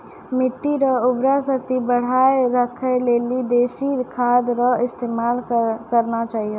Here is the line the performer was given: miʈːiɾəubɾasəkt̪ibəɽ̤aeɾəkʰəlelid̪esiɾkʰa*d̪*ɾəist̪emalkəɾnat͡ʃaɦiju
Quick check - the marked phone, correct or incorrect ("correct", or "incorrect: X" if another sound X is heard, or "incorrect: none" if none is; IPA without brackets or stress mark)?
correct